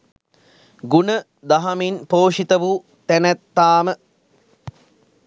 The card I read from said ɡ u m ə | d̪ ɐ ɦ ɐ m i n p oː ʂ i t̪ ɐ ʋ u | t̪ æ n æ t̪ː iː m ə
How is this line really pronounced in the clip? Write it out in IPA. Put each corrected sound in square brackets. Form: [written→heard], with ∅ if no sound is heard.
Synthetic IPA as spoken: ɡ u [m→n] ə | d̪ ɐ ɦ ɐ m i n p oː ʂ i t̪ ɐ ʋ u | t̪ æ n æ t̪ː [iː→aː] m ə